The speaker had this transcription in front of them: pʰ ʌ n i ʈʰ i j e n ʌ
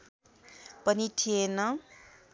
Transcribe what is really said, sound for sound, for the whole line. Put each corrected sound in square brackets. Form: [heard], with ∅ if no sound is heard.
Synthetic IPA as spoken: [p] ʌ n i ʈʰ i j e n ʌ